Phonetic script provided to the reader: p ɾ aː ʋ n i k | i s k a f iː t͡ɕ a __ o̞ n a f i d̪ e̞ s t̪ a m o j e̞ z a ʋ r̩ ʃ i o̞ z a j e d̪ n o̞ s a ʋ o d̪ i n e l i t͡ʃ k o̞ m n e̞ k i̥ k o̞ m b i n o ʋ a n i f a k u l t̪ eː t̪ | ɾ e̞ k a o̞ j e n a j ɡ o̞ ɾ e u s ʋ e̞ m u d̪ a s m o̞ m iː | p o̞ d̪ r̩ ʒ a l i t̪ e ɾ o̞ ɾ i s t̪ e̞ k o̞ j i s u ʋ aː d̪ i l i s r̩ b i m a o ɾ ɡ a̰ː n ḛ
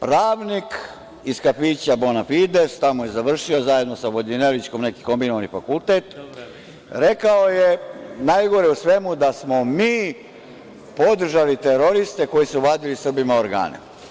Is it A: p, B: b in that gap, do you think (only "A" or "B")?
B